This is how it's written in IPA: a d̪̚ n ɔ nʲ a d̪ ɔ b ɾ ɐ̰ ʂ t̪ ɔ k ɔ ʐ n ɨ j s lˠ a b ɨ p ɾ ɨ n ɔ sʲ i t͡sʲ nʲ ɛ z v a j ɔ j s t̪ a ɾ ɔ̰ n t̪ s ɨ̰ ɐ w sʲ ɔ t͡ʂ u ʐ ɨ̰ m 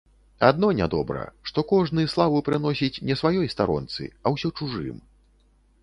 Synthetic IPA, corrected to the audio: a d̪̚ n ɔ nʲ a d̪ ɔ b ɾ ɐ̰ ʂ t̪ ɔ k ɔ ʐ n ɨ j s lˠ a v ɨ p ɾ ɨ n ɔ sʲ i t͡sʲ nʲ ɛ s v a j ɔ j s t̪ a ɾ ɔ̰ n t̪ s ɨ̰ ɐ w sʲ ɔ t͡ʂ u ʐ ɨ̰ m